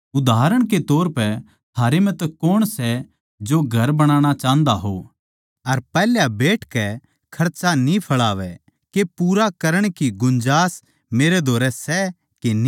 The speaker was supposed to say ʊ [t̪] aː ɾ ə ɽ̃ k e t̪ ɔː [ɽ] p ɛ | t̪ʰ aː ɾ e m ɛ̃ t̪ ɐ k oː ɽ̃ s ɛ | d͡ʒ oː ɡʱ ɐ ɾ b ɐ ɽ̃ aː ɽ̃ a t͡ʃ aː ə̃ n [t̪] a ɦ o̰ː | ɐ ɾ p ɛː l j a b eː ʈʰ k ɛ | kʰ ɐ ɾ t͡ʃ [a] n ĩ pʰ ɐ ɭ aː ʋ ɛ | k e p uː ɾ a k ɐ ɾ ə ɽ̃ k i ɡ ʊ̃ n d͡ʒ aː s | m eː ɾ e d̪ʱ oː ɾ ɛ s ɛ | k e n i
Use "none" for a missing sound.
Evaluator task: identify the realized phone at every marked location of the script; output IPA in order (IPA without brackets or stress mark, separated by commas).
d̪, ɾ, d̪, a